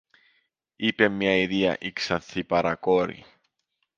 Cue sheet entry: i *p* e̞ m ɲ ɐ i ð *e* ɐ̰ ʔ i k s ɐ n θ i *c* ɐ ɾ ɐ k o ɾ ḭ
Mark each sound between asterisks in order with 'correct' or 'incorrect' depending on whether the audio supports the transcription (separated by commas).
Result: correct, incorrect, incorrect